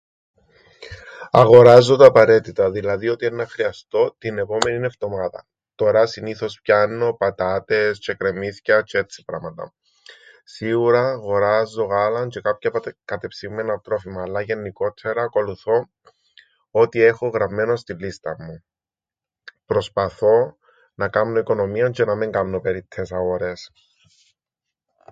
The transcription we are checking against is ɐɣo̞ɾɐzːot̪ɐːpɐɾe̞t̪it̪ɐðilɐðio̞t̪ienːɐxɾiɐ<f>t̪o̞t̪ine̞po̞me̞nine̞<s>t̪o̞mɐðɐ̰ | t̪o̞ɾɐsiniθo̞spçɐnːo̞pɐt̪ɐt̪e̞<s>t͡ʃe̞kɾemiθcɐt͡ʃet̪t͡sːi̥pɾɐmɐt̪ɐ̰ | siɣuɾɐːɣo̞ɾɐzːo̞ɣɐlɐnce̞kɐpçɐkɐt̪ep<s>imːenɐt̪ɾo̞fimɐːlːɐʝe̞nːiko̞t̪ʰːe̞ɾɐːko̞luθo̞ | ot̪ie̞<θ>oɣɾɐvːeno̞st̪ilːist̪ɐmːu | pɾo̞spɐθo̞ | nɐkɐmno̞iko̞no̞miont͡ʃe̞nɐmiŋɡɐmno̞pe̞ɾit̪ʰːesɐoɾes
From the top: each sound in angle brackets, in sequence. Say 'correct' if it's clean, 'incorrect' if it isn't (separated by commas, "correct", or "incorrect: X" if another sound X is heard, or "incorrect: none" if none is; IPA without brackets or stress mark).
incorrect: s, incorrect: f, correct, correct, incorrect: x